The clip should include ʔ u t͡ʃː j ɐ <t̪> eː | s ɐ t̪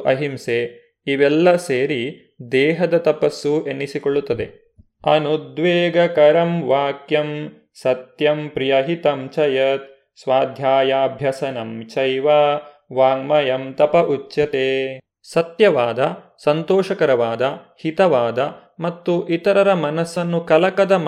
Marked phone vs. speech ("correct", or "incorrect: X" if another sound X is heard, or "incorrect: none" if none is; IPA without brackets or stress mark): correct